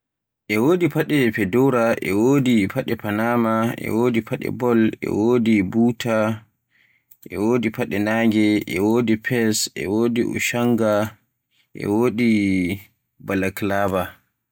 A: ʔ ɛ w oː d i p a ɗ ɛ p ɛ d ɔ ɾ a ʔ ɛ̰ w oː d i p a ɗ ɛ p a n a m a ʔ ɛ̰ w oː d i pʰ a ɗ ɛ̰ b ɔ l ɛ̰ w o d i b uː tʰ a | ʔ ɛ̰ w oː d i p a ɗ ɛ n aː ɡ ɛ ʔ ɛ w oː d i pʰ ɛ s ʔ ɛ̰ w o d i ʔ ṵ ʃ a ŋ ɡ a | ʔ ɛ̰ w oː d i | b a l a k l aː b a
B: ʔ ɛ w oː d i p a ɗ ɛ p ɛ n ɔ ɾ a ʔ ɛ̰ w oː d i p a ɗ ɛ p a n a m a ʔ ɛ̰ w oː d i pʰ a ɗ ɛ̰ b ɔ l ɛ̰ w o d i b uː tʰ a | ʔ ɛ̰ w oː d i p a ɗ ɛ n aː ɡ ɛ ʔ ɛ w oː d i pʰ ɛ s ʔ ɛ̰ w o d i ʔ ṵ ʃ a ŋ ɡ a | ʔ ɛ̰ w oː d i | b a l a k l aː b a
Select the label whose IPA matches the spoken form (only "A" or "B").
A